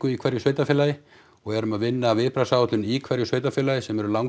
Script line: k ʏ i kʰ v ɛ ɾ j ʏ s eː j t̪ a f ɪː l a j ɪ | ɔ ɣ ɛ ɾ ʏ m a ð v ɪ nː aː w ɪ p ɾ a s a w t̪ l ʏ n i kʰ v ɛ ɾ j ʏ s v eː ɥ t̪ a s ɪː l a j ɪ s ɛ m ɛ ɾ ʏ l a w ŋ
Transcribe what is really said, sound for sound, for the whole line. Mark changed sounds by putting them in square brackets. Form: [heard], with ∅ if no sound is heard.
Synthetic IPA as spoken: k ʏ i kʰ v ɛ ɾ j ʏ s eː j t̪ a f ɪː l a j ɪ | ɔ ɣ ɛ ɾ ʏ m a ð v ɪ nː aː [v] ɪ p ɾ a s a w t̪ l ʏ n i kʰ v ɛ ɾ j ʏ s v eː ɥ t̪ a [f] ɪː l a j ɪ s ɛ m ɛ ɾ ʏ l a w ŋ